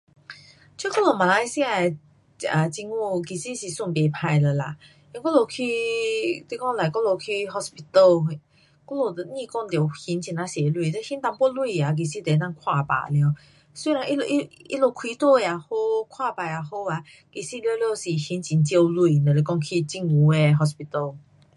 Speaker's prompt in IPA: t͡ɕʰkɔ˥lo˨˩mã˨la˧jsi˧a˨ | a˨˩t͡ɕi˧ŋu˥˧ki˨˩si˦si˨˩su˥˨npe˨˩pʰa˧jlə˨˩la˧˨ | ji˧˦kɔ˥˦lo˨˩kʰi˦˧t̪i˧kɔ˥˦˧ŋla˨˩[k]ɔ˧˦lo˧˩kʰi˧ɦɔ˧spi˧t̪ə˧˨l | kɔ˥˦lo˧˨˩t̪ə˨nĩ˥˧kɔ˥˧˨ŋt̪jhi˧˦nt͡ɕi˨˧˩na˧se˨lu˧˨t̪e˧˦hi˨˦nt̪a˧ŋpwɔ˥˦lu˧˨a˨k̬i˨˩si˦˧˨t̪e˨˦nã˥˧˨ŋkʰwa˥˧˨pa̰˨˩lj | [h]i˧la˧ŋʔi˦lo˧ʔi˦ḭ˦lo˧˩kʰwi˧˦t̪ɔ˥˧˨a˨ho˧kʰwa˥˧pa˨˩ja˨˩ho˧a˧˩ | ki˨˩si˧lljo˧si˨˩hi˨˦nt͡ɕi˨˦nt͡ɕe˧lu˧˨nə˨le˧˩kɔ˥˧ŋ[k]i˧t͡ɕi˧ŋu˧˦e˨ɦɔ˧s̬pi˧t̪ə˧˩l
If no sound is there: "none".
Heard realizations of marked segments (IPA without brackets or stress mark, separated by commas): k, s, kʰ